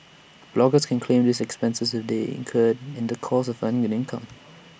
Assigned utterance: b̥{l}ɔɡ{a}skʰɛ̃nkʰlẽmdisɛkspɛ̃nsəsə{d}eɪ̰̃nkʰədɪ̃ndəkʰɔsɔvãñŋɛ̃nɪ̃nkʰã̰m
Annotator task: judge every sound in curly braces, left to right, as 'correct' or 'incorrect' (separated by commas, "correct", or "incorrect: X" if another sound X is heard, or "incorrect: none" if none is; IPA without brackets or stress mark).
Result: correct, incorrect: ə, correct